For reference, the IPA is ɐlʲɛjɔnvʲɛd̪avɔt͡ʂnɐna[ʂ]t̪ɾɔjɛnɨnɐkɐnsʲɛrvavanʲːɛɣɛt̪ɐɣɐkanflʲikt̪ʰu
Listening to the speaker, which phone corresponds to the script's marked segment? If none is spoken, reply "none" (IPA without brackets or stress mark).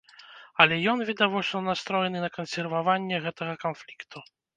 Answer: s